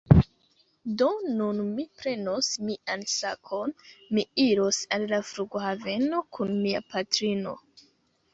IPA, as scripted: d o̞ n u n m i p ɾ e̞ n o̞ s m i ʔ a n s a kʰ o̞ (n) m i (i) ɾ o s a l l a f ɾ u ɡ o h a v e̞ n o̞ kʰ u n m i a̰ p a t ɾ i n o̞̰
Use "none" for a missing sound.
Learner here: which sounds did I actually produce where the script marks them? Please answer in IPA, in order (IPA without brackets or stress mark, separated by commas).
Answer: n, i